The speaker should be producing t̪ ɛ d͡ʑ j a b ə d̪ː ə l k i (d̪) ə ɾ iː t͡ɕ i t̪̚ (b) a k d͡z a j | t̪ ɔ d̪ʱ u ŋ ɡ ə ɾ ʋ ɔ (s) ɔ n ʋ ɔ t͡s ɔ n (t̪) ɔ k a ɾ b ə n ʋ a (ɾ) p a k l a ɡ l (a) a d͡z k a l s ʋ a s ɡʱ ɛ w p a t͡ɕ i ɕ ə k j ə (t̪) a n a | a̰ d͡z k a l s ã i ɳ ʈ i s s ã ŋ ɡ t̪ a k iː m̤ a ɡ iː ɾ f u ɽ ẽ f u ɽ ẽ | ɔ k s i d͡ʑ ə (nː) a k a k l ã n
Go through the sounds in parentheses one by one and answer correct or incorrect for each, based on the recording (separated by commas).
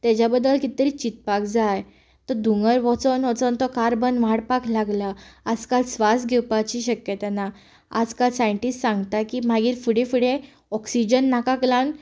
incorrect, incorrect, incorrect, correct, incorrect, correct, correct, correct